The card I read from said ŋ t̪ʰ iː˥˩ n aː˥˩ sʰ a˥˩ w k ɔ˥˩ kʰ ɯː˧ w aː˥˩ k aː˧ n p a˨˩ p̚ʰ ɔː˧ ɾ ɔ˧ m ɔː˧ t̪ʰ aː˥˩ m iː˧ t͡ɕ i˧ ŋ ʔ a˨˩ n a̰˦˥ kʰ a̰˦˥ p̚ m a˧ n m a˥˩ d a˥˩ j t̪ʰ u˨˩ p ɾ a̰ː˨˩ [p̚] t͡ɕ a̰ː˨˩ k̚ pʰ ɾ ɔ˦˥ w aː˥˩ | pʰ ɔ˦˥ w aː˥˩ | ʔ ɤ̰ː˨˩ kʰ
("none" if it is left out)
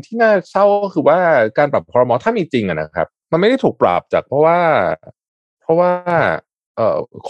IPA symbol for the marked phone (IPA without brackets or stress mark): p̚